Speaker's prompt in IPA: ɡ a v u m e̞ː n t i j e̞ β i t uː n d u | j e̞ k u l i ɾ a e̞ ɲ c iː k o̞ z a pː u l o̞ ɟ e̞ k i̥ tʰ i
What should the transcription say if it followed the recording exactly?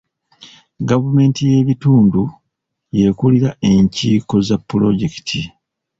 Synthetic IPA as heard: ɡ a v u m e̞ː n t i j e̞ β i t uː n d u | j e̞ k u l i ɾ a e̞ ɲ c iː k o̞ z a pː u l o̞ ɟ e̞ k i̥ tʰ i